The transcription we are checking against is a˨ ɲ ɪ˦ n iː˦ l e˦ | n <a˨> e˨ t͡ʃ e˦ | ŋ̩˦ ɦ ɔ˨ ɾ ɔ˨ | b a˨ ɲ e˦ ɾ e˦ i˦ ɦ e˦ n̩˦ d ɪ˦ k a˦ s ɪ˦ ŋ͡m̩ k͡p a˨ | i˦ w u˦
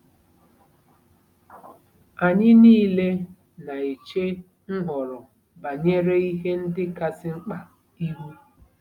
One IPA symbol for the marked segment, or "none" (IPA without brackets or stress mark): a˨